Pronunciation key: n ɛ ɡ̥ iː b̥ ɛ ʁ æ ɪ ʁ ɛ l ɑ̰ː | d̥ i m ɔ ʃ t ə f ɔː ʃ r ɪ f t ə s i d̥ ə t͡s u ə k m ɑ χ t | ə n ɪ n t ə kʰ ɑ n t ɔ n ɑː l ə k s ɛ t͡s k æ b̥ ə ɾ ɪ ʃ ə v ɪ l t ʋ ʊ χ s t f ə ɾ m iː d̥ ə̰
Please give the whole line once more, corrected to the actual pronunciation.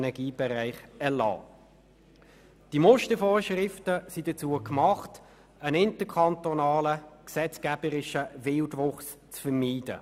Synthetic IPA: n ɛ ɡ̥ iː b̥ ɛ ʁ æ ɪ χ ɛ l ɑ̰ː | d̥ i m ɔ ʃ t ə f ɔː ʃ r ɪ f t ə s i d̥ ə t͡s u ə k m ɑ χ t | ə n ɪ n t ə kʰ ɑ n t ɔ n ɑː l ə k s ɛ t͡s k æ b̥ ə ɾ ɪ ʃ ə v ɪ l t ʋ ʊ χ s t͡s f ə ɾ m iː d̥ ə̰